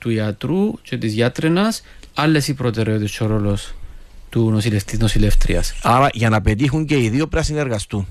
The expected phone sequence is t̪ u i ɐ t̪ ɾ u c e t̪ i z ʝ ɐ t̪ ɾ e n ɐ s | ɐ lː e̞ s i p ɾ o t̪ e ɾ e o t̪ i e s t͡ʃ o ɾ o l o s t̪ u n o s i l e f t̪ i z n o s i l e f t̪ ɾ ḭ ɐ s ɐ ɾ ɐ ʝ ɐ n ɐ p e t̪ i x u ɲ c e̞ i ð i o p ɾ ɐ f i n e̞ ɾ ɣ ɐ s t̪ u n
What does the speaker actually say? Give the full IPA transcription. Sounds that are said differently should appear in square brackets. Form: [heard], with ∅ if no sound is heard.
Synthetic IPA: t̪ u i ɐ t̪ ɾ u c e t̪ i z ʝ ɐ t̪ ɾ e n ɐ s | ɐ lː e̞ s i p ɾ o t̪ e ɾ e o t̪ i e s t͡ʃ o ɾ o l o s t̪ u n o s i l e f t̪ i z n o s i l e f t̪ ɾ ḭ ɐ s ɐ ɾ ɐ ʝ ɐ n ɐ p e t̪ i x u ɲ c e̞ i ð i o p ɾ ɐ [s] i n e̞ ɾ ɣ ɐ s t̪ u n